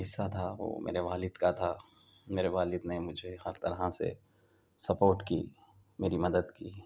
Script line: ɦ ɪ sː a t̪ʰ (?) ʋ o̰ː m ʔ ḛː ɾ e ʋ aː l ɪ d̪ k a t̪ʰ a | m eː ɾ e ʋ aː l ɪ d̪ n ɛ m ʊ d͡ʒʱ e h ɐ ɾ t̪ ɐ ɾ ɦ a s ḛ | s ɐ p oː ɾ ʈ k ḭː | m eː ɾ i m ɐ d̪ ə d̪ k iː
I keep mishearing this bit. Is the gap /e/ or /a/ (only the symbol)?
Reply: a